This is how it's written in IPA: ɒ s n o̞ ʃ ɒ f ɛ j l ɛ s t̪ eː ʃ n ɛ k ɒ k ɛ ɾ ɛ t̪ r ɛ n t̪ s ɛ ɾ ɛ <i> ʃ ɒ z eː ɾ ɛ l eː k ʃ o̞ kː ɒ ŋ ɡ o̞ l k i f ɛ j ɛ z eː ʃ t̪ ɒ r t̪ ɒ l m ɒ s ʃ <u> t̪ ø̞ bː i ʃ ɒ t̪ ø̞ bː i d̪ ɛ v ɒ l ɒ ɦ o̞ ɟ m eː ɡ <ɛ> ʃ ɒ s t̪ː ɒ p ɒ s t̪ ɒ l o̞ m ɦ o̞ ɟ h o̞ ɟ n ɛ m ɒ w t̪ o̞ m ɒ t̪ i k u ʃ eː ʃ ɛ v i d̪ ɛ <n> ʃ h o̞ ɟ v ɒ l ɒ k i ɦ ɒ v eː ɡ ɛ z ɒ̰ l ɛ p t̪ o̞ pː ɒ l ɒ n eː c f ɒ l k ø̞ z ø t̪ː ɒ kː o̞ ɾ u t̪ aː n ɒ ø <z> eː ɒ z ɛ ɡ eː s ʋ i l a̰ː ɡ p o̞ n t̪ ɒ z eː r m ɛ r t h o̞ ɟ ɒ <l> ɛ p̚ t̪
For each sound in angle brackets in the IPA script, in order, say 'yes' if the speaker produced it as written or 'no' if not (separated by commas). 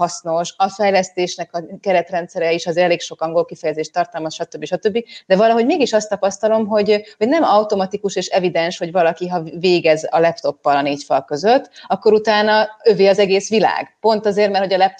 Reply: yes, no, no, yes, no, yes